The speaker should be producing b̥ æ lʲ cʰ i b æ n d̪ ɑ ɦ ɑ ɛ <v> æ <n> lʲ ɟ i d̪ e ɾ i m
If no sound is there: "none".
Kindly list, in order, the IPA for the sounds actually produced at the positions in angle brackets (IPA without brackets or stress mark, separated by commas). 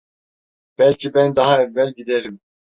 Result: vː, none